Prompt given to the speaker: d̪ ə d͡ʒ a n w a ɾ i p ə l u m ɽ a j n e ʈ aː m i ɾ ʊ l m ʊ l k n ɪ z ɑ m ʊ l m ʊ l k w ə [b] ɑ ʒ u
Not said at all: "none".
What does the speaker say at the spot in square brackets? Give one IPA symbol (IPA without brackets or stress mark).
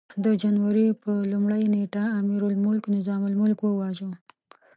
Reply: w